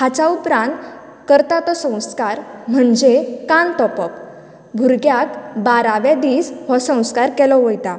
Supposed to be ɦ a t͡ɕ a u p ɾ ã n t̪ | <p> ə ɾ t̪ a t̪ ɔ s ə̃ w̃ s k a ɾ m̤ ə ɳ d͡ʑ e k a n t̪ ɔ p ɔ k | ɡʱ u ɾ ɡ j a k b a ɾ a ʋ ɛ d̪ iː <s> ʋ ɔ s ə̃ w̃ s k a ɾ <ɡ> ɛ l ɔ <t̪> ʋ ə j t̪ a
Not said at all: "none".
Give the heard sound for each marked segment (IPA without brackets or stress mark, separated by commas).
k, s, k, none